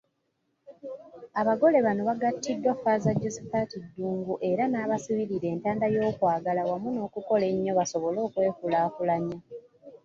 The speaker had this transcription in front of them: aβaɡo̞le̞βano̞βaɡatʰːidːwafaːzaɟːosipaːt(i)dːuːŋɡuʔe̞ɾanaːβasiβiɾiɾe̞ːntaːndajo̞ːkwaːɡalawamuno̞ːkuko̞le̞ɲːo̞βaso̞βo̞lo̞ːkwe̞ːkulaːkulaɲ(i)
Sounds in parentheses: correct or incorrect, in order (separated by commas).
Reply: correct, incorrect